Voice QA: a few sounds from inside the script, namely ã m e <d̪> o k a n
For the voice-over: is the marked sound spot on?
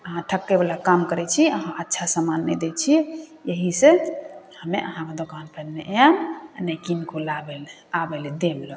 yes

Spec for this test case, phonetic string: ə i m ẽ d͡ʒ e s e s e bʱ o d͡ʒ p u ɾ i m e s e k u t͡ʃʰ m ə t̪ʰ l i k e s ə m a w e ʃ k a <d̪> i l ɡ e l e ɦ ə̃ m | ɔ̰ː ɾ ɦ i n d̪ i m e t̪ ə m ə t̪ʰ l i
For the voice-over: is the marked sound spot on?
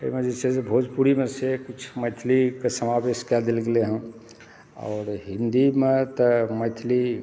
yes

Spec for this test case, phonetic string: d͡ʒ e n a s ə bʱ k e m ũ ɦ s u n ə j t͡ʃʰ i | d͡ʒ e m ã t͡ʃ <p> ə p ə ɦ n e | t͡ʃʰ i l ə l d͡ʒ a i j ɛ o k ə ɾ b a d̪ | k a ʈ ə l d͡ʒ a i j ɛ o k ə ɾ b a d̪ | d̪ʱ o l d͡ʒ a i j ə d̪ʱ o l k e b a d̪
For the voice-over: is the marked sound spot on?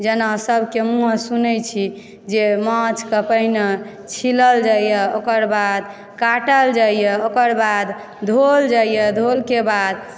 no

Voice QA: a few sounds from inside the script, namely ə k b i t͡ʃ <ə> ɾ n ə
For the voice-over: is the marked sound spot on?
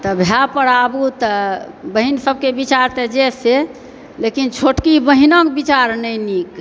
no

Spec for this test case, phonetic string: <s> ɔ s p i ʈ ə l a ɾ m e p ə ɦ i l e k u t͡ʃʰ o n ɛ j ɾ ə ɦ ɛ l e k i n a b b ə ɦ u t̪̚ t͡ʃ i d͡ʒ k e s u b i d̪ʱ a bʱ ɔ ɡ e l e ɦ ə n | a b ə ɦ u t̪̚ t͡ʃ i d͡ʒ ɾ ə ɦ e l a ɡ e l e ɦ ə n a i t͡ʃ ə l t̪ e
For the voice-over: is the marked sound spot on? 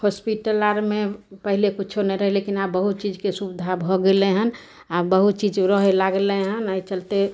no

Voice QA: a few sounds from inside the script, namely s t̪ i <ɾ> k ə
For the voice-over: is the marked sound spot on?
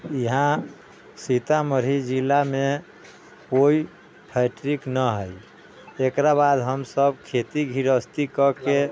no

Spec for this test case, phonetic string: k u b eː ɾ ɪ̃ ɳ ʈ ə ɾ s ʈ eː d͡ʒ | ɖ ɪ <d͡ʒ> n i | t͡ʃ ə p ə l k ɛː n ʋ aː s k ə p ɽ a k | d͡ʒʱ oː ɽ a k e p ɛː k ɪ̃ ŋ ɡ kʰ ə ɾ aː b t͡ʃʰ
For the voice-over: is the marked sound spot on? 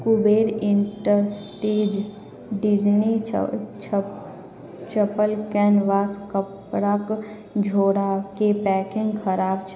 yes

